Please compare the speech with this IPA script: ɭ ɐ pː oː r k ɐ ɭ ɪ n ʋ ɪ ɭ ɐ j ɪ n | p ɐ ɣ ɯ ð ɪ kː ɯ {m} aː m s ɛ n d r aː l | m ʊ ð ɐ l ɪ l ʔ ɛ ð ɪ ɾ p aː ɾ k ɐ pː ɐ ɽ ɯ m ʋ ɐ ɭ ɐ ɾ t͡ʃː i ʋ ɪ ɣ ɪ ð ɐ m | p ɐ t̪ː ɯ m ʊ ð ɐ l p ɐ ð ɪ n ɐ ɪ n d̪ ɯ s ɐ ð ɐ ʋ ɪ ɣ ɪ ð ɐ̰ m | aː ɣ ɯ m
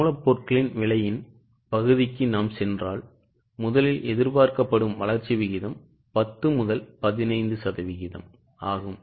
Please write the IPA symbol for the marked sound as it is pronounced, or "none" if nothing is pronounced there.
n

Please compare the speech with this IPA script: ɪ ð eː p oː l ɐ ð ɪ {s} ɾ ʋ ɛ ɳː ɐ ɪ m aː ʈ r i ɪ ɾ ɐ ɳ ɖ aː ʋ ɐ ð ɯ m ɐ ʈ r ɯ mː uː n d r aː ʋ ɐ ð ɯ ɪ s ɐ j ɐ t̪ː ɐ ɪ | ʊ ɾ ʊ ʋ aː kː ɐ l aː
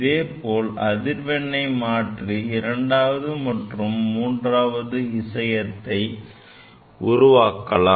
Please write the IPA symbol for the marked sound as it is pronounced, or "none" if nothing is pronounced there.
none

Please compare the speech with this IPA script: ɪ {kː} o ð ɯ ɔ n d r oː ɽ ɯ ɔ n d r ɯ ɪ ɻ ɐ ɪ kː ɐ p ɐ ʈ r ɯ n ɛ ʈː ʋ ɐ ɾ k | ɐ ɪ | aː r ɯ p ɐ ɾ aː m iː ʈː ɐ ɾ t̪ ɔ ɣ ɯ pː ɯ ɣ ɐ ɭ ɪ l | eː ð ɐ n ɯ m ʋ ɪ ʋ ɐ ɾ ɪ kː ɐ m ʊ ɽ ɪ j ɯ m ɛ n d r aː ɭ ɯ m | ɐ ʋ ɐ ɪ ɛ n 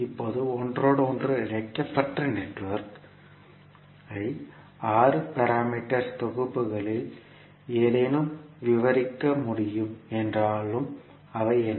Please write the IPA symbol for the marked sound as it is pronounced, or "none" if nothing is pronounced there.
pː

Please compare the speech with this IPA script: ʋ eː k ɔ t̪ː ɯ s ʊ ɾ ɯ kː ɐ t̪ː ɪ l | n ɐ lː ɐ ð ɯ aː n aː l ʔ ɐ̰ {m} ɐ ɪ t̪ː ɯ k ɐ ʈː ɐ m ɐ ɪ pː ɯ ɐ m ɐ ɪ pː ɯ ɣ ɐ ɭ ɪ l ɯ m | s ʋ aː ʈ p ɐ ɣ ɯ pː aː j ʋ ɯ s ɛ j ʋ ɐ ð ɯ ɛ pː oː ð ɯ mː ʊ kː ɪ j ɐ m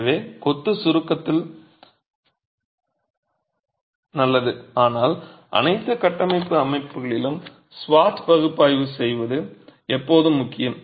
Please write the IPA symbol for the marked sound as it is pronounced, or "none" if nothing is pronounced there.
n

